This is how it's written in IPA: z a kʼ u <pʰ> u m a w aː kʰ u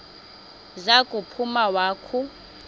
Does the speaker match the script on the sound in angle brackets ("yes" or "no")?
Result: yes